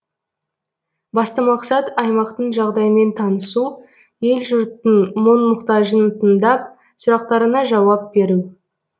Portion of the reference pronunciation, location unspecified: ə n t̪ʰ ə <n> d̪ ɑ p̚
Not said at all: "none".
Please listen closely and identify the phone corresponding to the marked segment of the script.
n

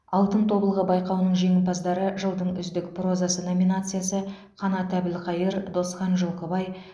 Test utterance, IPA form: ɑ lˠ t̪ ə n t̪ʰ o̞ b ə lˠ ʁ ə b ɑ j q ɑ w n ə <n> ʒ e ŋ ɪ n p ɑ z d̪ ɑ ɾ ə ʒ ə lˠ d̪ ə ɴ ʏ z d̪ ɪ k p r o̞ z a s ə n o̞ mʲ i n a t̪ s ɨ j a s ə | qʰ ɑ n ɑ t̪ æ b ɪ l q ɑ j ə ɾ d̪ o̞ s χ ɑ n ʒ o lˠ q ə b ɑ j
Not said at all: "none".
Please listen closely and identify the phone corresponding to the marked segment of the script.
ɴ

